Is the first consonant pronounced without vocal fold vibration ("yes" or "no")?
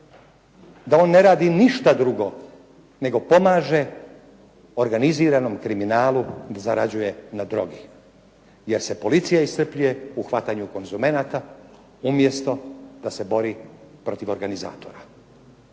no